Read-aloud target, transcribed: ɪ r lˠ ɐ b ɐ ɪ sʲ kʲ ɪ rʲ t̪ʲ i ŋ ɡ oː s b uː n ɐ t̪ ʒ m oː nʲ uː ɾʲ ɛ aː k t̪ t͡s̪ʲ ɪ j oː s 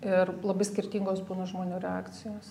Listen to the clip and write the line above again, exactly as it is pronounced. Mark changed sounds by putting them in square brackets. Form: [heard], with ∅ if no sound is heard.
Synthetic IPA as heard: ɪ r lˠ ɐ b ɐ ɪ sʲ kʲ ɪ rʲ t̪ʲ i ŋ ɡ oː s b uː n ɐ [∅] ʒ m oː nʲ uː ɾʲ ɛ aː k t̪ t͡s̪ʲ ɪ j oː s